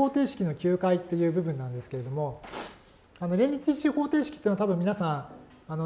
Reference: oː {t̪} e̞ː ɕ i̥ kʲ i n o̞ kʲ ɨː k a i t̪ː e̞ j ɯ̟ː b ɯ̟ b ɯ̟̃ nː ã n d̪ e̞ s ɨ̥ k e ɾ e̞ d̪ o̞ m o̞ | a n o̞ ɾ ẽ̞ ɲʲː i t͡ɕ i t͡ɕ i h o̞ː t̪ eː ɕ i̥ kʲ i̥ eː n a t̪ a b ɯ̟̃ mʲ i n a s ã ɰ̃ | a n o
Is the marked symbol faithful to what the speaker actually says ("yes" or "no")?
yes